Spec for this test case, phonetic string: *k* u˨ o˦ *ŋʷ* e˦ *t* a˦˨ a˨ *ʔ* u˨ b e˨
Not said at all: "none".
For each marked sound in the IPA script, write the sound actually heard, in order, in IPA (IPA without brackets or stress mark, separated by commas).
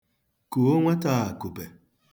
k, ŋʷ, t, k